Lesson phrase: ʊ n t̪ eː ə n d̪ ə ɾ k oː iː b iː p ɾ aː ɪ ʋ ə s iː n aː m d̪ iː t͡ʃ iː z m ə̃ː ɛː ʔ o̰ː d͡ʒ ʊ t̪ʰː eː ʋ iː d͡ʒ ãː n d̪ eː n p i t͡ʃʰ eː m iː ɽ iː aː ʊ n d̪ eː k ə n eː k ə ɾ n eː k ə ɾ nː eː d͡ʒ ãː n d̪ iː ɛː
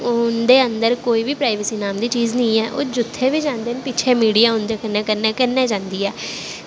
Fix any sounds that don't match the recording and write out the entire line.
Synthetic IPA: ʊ n d̪ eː ə n d̪ ə ɾ k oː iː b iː p ɾ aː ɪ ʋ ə s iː n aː m d̪ iː t͡ʃ iː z n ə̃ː ɛː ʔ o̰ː d͡ʒ ʊ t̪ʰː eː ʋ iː d͡ʒ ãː n d̪ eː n p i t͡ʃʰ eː m iː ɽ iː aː ʊ n d̪ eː k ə n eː k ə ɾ n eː k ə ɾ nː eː d͡ʒ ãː n d̪ iː ɛː